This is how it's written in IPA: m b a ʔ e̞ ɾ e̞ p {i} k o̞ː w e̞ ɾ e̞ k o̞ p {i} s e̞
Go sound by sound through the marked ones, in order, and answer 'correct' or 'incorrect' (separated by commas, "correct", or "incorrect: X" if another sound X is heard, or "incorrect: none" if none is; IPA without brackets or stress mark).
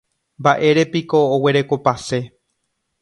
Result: correct, incorrect: a